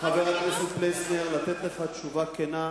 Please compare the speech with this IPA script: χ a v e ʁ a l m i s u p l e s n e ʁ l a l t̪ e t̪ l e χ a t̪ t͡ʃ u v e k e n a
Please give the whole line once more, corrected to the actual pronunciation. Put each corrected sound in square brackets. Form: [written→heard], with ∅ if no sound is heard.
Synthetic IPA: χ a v e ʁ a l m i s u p l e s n e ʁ l a [l→∅] t̪ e t̪ l e χ a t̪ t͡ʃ u v [e→a] k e n a